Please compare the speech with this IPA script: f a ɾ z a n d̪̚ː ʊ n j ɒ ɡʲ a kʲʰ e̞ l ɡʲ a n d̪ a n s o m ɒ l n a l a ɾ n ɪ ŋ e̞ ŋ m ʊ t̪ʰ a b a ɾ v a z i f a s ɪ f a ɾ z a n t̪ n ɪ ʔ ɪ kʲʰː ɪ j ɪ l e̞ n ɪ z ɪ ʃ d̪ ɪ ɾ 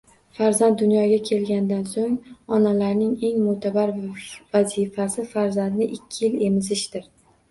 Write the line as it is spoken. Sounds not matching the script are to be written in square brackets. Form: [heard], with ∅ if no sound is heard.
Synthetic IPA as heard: f a ɾ z a n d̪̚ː ʊ n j ɒ ɡʲ a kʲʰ e̞ l ɡʲ a n d̪ a n s o [ŋ] ɒ [∅] n a l a ɾ n ɪ ŋ e̞ ŋ m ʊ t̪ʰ a b a ɾ v a z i f a s ɪ f a ɾ z a n [d̪] n ɪ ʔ ɪ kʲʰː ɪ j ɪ l e̞ [m] ɪ z ɪ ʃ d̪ ɪ ɾ